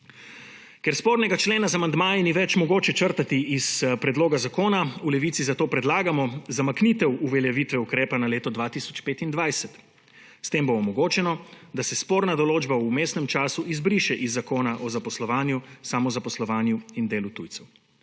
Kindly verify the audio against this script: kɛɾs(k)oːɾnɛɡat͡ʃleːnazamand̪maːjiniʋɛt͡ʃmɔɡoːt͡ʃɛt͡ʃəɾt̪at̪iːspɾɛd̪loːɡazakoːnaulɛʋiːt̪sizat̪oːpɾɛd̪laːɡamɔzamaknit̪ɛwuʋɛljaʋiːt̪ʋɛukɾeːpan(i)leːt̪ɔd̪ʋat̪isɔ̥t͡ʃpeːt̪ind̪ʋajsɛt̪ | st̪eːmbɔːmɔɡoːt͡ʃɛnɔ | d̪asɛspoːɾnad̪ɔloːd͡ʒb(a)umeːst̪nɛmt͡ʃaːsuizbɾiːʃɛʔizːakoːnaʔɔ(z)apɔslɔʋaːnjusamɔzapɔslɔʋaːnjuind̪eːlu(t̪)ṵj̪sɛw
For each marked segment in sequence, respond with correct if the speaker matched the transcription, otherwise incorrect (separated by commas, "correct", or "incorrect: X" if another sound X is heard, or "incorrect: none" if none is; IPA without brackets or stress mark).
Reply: incorrect: p, incorrect: a, correct, correct, correct